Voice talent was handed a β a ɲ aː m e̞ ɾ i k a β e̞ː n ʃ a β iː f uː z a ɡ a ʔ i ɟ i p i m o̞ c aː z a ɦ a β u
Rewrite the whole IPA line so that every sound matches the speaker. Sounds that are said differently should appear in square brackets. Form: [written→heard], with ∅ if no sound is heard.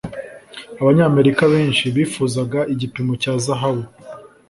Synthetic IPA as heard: a β a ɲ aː m e̞ ɾ i k a β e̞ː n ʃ [a→i] β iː f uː z a ɡ a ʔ i ɟ i p i m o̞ c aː z a ɦ a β u